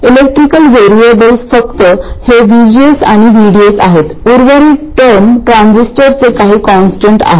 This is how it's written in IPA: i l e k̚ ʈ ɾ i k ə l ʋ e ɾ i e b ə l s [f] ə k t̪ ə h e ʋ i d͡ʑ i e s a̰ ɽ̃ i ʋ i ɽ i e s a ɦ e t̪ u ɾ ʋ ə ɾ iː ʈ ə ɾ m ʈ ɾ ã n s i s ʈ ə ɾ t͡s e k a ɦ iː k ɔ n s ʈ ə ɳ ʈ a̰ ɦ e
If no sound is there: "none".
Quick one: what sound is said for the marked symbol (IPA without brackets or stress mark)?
f